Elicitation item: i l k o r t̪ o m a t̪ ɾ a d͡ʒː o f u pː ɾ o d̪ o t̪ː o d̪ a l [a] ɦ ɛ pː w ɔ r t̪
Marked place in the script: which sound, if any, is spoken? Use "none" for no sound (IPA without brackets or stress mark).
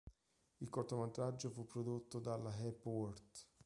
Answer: a